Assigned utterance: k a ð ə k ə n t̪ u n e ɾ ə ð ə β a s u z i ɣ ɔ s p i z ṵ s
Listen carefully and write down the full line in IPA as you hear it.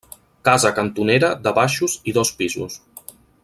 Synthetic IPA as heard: k a z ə k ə n t̪ u n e ɾ ə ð ə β a ʃ u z i ð ɔ s p i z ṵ s